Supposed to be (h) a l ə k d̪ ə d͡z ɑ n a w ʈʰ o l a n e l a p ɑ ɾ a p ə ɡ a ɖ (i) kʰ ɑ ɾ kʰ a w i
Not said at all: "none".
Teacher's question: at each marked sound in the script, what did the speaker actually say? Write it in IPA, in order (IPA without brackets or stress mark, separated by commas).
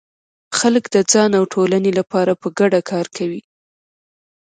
x, a